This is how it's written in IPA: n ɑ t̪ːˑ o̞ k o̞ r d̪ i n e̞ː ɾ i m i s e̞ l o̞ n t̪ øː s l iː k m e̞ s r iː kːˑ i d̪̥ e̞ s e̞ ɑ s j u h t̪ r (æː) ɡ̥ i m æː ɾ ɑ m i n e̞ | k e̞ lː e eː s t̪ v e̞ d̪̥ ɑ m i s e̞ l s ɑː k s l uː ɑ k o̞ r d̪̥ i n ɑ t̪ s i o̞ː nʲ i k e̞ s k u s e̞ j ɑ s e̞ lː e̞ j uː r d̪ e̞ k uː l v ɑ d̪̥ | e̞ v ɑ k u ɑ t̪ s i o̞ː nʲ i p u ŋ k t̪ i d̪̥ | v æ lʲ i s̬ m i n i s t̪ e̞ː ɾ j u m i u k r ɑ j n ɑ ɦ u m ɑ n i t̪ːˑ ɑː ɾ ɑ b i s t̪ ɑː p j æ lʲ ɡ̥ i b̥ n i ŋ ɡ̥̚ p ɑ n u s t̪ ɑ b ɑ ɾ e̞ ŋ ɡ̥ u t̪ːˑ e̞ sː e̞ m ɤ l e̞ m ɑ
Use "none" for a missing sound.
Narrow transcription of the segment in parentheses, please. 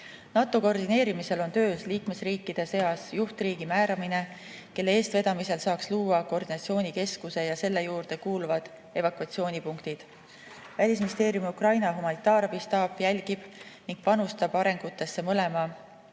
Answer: iː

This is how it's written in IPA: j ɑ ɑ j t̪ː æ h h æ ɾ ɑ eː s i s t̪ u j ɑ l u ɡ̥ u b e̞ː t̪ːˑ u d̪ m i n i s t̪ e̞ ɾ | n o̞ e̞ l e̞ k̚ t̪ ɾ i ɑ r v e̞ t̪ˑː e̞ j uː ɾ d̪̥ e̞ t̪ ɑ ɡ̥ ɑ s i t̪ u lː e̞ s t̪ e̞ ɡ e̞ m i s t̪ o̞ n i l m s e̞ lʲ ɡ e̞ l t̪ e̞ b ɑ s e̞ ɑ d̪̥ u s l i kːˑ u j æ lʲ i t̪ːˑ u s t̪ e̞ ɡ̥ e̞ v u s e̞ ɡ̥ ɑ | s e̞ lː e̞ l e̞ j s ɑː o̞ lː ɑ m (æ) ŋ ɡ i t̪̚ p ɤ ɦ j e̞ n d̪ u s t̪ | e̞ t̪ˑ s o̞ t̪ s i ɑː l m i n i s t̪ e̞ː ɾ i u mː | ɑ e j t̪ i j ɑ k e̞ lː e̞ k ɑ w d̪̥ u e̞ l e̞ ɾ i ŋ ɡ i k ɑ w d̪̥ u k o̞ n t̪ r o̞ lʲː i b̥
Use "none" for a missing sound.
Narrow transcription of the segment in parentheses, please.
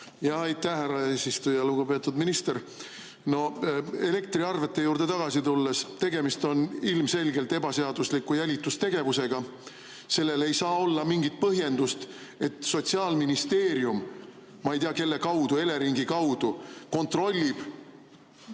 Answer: i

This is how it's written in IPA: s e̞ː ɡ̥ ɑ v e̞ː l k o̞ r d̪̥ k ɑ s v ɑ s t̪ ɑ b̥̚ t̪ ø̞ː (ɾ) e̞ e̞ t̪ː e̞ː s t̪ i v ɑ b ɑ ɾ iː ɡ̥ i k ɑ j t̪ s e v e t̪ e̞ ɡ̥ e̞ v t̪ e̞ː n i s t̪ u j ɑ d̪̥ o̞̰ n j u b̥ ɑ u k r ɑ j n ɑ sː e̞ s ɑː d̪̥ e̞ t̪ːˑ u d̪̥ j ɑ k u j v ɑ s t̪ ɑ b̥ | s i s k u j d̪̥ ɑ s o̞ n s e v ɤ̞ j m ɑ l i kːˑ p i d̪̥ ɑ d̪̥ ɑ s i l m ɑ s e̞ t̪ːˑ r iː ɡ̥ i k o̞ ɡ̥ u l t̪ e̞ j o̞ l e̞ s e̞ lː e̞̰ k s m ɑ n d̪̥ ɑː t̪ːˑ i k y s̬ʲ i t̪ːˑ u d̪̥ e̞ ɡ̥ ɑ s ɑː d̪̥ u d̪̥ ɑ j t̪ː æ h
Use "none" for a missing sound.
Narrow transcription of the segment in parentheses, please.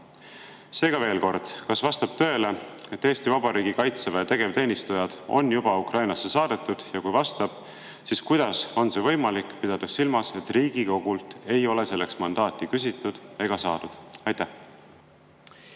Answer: l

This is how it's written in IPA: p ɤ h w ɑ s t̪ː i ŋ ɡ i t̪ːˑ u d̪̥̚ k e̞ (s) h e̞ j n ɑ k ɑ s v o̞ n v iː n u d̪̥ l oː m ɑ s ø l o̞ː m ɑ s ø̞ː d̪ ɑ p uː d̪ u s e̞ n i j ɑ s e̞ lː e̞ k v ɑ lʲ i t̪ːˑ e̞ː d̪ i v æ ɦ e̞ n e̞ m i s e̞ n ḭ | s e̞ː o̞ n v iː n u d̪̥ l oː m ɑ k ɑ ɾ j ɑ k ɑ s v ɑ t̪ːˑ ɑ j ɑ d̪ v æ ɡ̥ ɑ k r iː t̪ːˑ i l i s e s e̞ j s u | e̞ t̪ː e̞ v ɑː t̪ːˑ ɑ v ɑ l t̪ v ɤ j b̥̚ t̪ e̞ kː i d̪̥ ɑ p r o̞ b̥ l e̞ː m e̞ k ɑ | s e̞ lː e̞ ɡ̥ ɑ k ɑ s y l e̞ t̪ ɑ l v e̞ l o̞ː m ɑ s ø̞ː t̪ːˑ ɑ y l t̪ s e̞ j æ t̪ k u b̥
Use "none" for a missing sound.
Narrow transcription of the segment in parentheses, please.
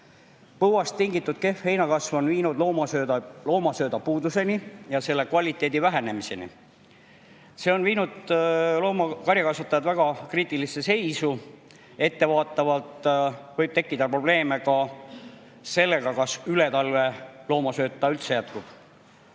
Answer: f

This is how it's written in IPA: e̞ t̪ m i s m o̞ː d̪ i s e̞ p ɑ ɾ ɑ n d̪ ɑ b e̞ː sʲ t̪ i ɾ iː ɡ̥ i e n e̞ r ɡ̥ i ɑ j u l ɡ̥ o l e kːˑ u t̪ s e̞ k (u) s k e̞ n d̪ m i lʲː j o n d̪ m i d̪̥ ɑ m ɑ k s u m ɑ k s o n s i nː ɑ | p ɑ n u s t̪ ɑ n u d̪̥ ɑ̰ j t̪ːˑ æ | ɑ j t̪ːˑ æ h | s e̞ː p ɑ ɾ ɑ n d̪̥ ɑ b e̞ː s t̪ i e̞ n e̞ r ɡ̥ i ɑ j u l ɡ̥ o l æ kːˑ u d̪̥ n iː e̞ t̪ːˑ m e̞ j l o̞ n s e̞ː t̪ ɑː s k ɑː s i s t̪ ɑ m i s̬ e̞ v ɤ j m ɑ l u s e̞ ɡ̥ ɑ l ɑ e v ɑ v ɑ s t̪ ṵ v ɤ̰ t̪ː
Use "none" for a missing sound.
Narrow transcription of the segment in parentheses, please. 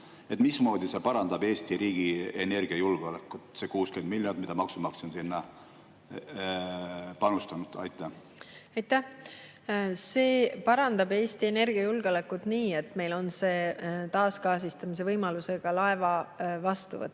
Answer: uː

